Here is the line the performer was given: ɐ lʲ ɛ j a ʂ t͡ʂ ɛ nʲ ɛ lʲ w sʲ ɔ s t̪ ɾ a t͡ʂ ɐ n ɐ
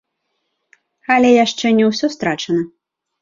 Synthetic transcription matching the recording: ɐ lʲ ɛ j a ʂ t͡ʂ ɛ nʲ ɛ w sʲ ɔ s t̪ ɾ a t͡ʂ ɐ n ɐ